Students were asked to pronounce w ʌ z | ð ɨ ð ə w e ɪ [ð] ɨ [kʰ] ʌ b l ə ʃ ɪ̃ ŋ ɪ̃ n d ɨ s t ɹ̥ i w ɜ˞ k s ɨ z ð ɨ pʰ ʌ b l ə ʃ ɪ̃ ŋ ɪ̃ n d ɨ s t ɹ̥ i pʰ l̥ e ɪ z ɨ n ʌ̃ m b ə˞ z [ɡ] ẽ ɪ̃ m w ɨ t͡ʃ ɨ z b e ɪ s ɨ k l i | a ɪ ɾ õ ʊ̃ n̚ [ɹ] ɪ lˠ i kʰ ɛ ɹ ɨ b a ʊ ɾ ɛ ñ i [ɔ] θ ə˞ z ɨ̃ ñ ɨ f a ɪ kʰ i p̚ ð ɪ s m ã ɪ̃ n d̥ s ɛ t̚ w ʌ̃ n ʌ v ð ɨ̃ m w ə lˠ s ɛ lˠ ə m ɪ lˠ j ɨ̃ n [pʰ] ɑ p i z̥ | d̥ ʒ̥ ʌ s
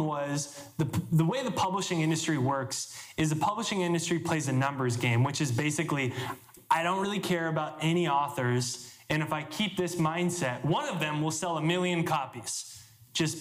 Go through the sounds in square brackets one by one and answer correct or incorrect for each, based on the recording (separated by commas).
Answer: correct, incorrect, correct, correct, correct, incorrect